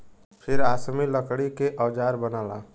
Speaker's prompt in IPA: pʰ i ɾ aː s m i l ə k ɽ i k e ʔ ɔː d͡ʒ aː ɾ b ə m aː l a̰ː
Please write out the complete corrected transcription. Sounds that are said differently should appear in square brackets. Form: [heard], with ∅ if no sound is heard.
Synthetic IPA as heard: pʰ [ɪ] ɾ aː s m i l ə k ɽ i k e ʔ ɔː d͡ʒ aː ɾ b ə [n] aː l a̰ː